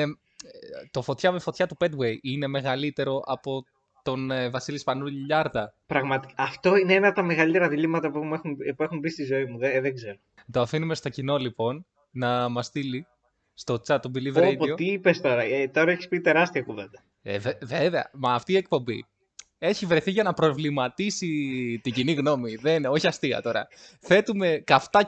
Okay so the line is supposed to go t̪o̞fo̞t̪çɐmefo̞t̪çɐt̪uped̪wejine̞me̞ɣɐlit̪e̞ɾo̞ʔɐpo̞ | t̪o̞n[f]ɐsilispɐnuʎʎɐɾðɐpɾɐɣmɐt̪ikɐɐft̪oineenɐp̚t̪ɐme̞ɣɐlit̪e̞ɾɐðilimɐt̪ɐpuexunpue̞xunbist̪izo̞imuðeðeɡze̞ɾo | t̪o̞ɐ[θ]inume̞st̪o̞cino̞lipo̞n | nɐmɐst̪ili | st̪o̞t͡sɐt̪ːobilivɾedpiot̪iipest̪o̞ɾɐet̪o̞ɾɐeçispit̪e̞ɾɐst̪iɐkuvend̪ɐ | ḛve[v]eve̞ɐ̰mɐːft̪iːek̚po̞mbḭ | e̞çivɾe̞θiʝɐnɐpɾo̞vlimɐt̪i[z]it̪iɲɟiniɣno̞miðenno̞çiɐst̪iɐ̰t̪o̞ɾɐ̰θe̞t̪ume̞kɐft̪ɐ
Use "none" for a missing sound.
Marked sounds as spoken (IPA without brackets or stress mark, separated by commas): v, f, v, s